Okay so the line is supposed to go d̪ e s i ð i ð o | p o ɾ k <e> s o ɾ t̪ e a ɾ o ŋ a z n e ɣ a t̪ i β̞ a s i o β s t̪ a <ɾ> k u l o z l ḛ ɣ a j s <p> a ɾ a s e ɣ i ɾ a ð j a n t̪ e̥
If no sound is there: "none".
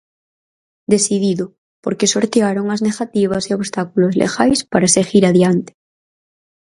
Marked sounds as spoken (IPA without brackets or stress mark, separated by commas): e, none, p